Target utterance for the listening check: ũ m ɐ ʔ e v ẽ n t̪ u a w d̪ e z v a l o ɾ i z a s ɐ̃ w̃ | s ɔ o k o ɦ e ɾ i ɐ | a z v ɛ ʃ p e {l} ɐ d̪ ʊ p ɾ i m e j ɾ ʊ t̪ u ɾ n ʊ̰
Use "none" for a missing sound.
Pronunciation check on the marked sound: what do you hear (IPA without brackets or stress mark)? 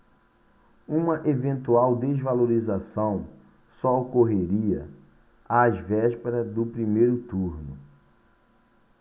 ɾ